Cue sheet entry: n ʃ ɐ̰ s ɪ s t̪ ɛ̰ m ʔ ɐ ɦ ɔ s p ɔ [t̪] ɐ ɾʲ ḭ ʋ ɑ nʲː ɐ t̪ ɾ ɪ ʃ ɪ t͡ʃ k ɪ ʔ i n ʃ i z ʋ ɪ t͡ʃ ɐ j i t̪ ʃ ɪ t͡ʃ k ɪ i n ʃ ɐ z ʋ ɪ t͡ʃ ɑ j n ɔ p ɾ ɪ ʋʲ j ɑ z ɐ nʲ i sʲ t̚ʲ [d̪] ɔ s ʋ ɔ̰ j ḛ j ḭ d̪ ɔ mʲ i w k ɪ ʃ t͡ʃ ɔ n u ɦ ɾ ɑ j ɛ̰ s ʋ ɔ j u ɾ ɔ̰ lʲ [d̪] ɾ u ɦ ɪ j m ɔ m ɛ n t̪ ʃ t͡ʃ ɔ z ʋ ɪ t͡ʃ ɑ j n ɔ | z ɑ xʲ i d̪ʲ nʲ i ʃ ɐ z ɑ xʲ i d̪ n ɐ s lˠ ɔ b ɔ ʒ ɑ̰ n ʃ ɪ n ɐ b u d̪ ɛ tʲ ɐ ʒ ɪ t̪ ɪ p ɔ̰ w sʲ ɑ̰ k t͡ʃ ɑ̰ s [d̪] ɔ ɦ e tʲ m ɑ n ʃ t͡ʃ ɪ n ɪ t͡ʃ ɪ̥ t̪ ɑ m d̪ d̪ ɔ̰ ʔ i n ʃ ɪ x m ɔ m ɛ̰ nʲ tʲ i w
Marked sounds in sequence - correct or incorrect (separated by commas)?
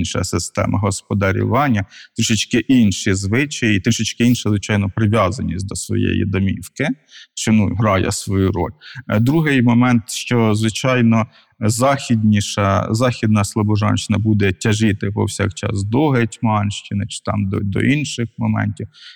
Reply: incorrect, correct, correct, correct